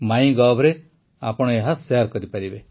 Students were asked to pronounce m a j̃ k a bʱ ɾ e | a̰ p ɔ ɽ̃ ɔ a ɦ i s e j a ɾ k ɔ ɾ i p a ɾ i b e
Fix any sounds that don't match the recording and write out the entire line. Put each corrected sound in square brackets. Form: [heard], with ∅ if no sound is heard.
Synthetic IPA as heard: m a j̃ [ɡ] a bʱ ɾ e | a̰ p ɔ ɽ̃ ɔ [e] ɦ [a] s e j a ɾ k ɔ ɾ i p a ɾ i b e